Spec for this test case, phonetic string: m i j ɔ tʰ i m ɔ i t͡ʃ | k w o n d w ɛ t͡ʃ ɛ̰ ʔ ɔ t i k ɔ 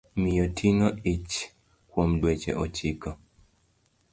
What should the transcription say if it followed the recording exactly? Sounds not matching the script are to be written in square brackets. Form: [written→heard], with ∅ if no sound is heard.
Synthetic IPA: m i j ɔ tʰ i [m→ŋ] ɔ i t͡ʃ | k w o [n→m] d w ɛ t͡ʃ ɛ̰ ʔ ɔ [t→t͡ʃ] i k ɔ